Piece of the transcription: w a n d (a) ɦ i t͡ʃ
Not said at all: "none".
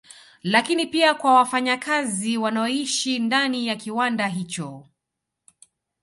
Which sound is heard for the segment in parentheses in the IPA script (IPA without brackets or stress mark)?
a